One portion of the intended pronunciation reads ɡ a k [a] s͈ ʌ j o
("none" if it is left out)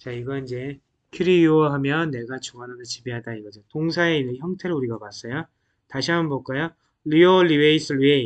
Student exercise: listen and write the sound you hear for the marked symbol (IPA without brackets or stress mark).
a